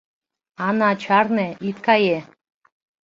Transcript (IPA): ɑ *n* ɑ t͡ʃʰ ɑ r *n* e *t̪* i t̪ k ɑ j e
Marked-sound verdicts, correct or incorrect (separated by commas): correct, correct, incorrect